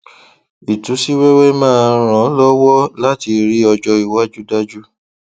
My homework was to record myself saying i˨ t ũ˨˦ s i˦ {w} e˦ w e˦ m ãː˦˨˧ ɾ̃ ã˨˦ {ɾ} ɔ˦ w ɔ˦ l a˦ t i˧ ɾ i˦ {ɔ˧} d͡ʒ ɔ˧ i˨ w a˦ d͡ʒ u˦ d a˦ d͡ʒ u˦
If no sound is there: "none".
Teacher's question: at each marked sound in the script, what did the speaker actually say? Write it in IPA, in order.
w, l, ɔ˧

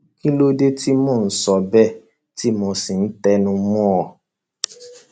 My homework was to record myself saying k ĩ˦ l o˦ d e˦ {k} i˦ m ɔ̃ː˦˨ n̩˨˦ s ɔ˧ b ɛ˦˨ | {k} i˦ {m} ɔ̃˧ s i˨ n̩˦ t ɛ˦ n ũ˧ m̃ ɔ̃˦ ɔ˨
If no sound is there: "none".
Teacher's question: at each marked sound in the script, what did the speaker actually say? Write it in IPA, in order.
t, t, m

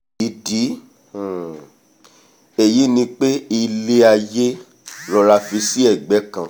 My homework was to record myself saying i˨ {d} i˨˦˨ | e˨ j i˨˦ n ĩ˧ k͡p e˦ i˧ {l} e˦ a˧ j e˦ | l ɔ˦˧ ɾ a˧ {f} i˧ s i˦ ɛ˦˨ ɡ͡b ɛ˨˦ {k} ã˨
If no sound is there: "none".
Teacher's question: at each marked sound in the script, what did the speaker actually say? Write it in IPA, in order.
d, l, f, k

